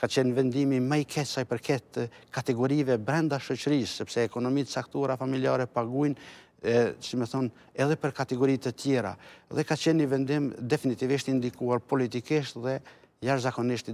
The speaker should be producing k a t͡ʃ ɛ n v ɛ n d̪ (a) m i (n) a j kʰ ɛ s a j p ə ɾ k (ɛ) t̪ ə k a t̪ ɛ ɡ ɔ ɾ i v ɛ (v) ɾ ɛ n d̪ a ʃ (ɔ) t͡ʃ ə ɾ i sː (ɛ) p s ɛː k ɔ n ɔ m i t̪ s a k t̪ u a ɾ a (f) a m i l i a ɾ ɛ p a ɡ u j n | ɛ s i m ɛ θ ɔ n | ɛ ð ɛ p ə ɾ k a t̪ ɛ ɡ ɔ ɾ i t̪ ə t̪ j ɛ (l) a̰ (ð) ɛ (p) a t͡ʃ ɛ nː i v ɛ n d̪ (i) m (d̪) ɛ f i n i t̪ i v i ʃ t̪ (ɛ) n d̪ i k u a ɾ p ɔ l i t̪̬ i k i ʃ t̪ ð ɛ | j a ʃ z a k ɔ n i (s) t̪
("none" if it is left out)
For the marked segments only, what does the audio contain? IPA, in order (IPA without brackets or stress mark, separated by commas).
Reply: i, m, ɛ, b, ɔ, ɛ, f, ɾ, ð, k, i, d̪, i, ʃ